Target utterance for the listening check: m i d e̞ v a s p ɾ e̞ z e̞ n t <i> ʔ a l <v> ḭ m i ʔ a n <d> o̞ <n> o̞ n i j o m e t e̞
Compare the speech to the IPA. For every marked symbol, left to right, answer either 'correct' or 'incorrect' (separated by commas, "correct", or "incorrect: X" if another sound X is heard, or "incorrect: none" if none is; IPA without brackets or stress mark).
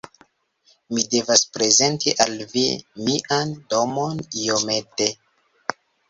correct, correct, correct, incorrect: m